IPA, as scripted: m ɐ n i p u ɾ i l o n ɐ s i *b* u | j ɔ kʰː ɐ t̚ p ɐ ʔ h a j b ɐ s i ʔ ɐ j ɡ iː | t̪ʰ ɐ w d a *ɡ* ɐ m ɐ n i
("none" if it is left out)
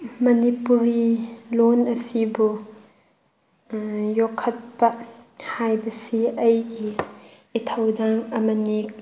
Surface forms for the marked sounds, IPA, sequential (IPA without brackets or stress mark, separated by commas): b, ŋ